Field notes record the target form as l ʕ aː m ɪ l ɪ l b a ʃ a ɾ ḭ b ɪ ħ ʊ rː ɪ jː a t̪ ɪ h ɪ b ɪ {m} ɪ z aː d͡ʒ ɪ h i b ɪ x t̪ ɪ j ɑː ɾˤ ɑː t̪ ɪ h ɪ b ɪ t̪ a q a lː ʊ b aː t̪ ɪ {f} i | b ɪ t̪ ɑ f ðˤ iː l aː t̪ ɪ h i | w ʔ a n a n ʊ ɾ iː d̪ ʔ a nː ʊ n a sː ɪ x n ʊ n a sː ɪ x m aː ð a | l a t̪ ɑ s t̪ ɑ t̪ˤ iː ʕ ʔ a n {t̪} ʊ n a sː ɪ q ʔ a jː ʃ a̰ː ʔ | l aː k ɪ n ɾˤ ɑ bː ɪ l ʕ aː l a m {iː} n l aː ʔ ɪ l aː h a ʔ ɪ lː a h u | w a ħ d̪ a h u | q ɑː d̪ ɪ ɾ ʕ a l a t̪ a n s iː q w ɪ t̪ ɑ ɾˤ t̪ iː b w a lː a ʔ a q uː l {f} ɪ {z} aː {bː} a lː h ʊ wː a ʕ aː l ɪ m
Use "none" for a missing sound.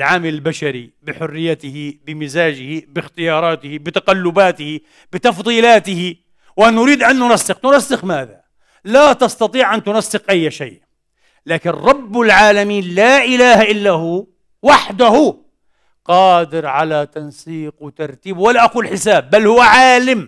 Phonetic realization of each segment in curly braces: m, h, t̪, iː, ħ, s, bː

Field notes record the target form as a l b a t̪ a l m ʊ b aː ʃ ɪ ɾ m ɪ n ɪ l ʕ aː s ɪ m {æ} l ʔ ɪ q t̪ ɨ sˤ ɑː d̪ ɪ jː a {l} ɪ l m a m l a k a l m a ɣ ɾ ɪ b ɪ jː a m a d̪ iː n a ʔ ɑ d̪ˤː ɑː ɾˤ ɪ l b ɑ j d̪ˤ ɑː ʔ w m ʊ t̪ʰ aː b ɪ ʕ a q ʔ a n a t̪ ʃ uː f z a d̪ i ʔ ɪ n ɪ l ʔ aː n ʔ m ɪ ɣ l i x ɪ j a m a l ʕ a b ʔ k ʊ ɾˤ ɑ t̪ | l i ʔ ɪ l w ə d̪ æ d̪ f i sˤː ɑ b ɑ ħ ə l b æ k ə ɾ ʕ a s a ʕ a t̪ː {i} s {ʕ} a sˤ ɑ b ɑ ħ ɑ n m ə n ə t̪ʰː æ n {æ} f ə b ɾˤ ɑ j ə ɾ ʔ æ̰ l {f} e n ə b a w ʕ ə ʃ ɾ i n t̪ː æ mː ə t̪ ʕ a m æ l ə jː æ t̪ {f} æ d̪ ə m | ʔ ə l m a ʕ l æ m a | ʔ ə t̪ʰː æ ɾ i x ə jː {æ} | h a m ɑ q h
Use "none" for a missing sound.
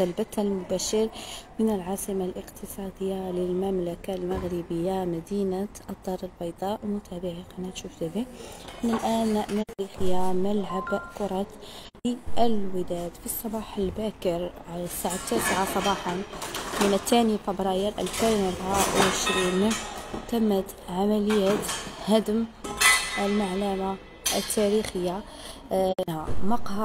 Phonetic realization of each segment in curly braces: a, l, æ, ʕ, i, f, h, a

